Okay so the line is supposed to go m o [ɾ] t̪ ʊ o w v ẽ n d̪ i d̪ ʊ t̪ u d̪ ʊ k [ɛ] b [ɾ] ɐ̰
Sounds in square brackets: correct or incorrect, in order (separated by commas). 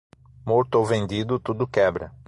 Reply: correct, correct, correct